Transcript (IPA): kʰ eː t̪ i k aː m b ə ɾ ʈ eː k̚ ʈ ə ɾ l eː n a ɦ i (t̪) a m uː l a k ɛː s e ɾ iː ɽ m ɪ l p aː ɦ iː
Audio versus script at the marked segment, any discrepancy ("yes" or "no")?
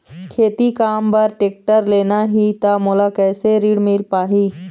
no